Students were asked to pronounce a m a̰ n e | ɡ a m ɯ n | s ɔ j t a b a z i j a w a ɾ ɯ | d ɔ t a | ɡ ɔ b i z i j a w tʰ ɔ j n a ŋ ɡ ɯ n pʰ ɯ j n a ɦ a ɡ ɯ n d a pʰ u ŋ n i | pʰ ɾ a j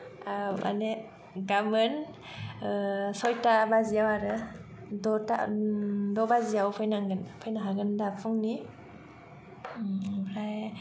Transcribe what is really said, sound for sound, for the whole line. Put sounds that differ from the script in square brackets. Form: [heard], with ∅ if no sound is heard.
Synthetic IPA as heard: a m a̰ n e | ɡ a m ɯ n | s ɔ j t a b a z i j a w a ɾ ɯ | d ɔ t a | [d] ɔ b [a] z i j a w [pʰ] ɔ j n a ŋ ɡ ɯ n pʰ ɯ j n a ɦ a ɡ ɯ n d a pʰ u ŋ n i | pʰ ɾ a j